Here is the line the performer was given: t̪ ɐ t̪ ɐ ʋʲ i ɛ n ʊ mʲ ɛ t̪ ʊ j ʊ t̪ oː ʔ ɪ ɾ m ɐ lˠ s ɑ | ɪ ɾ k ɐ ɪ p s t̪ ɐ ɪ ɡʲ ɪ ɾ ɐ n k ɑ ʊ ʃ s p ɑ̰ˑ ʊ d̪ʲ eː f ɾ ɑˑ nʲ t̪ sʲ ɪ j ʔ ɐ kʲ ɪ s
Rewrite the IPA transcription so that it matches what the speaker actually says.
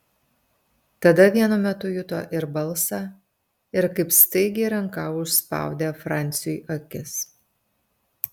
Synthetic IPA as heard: t̪ ɐ d̪ ɐ ʋʲ i ɛ n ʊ mʲ ɛ t̪ ʊ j ʊ t̪ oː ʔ ɪ ɾ b ɐ lˠ s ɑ | ɪ ɾ k ɐ ɪ p s t̪ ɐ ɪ ɡʲ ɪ ɾ ɐ ŋ k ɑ ʊ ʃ s p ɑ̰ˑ ʊ d̪ʲ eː f ɾ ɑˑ nʲ t̪ sʲ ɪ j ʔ ɐ kʲ ɪ s

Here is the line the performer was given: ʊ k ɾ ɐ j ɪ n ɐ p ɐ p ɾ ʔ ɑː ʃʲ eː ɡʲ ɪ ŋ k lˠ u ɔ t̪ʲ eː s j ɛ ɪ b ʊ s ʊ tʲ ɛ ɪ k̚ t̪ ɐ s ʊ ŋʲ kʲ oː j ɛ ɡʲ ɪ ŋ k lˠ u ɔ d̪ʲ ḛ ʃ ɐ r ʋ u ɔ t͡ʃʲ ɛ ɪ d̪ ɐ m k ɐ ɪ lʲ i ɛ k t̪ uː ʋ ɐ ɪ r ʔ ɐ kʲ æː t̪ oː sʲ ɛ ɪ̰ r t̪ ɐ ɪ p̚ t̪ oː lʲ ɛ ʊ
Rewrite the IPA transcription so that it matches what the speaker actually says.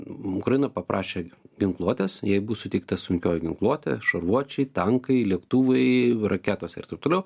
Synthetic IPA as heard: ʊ k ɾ ɐ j ɪ n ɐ p ɐ p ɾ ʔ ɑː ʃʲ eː ɡʲ ɪ ŋ k lˠ u ɔ t̪ʲ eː s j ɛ ɪ b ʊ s ʊ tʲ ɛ ɪ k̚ t̪ ɐ s ʊ ŋʲ kʲ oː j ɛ ɡʲ ɪ ŋ k lˠ u ɔ t̪ʲ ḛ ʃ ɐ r ʋ u ɔ t͡ʃʲ ɛ ɪ t̪ ɐ ŋ k ɐ ɪ lʲ i ɛ k t̪ uː ʋ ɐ ɪ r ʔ ɐ kʲ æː t̪ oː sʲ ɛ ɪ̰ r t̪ ɐ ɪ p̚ t̪ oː lʲ ɛ ʊ

